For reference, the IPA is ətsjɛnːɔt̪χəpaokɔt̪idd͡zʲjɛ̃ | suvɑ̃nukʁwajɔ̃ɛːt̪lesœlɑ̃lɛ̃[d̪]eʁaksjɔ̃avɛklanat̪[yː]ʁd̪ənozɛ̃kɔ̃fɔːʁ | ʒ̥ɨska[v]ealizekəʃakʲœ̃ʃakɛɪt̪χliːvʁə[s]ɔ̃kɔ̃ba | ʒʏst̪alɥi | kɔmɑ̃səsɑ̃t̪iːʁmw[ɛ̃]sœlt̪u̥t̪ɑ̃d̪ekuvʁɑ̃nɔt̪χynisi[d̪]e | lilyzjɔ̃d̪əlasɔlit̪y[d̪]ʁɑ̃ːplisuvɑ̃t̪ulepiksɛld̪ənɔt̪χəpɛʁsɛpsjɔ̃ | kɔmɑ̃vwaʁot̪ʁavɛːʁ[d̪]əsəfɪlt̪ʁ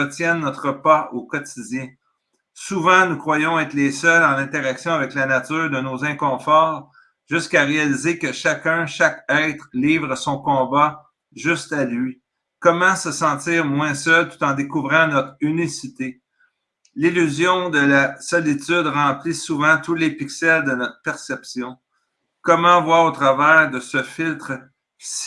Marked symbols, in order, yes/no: no, yes, no, yes, yes, no, yes, yes

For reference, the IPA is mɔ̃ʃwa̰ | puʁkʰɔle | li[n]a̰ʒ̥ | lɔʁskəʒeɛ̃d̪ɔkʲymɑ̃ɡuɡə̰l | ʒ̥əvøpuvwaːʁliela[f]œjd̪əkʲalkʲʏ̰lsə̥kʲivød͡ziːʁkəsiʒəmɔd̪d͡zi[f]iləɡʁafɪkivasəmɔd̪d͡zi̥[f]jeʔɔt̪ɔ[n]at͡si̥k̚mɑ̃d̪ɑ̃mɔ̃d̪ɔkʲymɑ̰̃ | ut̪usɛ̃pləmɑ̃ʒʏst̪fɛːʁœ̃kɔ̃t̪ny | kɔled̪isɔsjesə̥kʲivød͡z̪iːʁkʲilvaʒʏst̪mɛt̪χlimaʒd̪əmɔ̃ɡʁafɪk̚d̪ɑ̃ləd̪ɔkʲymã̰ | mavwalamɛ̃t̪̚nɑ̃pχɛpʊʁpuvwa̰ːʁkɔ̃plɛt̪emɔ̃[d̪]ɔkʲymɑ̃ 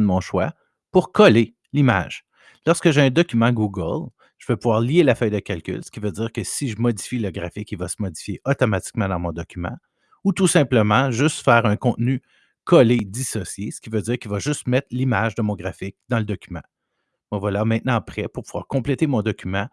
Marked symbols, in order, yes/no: no, yes, yes, yes, no, yes

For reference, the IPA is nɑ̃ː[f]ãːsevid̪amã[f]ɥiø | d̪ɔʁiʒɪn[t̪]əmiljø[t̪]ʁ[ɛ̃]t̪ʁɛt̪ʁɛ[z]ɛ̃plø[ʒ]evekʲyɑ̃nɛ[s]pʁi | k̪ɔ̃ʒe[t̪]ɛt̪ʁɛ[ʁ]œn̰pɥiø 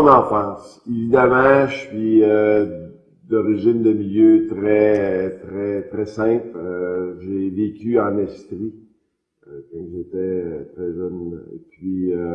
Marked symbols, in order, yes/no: yes, no, no, yes, no, no, yes, yes, yes, no

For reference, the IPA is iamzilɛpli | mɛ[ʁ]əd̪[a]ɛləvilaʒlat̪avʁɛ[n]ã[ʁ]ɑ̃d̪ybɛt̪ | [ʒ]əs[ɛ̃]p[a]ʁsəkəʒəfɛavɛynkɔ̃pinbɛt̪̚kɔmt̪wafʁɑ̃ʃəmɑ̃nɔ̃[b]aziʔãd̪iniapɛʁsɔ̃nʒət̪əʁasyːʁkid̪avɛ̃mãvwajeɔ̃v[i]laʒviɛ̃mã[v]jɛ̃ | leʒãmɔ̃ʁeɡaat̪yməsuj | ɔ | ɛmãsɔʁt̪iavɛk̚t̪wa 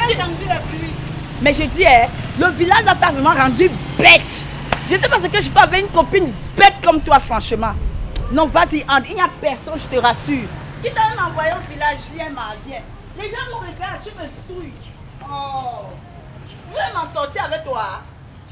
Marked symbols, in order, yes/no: no, no, no, yes, yes, no, yes, no, yes, yes

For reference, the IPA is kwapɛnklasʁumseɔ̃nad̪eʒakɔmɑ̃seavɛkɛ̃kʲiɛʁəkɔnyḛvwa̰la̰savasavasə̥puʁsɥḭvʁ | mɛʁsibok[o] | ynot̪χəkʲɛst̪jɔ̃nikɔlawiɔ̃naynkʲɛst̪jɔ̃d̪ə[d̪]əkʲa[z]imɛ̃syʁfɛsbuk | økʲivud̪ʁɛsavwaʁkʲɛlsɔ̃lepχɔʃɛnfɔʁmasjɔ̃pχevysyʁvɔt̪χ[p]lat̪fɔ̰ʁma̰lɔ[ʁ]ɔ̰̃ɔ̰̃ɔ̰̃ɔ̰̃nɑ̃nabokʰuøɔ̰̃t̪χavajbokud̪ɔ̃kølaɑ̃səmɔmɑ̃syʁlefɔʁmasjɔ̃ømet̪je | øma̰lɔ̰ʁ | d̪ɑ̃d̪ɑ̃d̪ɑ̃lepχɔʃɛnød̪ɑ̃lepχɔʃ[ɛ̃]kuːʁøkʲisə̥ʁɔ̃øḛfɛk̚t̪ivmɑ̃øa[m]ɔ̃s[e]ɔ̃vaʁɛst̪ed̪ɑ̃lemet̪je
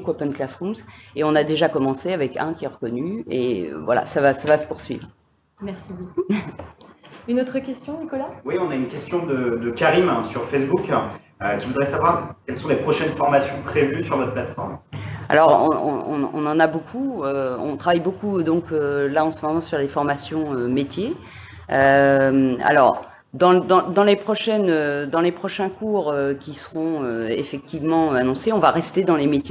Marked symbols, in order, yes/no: no, yes, no, yes, yes, yes, no, yes

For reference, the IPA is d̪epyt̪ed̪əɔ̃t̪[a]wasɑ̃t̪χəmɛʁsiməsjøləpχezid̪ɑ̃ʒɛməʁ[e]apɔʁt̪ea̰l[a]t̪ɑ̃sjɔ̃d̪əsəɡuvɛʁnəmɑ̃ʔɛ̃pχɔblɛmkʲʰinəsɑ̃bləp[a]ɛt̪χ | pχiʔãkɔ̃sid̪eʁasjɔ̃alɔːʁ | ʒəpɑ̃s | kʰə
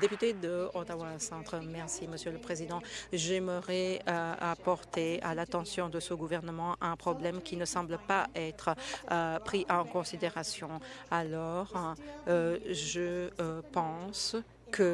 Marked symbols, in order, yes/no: yes, no, yes, yes

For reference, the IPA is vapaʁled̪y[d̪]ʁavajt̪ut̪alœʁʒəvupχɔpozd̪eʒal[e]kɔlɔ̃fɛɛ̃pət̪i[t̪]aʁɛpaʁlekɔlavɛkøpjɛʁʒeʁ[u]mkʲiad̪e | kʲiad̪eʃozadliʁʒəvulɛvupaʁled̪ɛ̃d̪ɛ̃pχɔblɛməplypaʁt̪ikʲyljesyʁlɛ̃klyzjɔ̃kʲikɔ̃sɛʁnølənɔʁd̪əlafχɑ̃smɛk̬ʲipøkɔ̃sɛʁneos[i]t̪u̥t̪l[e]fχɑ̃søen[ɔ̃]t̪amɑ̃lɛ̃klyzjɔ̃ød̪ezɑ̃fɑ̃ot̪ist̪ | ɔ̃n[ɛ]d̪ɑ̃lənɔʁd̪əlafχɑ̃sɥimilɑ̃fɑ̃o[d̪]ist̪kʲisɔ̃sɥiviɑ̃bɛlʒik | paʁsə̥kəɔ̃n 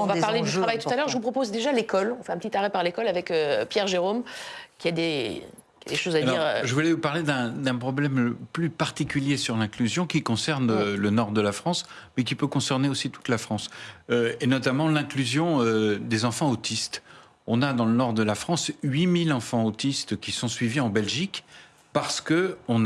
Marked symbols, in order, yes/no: no, yes, yes, no, yes, no, no, no, no

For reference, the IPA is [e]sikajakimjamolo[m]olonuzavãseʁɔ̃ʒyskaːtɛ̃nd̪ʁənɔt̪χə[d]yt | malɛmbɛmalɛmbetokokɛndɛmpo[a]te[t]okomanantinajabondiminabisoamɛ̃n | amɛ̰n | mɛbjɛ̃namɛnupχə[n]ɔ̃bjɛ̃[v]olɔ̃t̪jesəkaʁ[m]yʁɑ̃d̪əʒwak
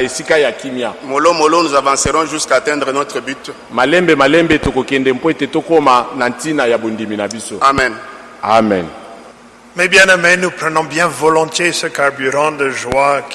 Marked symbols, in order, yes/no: yes, yes, no, no, yes, yes, yes, no

